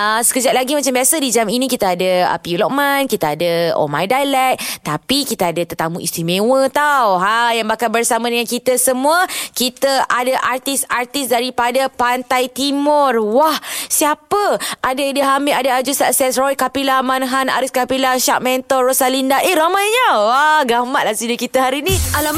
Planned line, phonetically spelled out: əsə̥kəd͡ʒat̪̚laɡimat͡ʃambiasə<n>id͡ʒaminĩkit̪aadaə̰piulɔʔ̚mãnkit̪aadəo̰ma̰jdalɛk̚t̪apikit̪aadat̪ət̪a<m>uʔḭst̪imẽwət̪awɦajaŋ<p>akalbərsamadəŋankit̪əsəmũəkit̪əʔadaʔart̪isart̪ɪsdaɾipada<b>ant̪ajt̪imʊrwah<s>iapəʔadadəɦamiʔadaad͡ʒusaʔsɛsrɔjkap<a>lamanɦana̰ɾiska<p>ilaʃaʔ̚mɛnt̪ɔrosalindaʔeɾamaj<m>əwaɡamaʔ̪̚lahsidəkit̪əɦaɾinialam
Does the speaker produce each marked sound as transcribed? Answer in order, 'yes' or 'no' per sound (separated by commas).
no, yes, no, no, yes, no, yes, no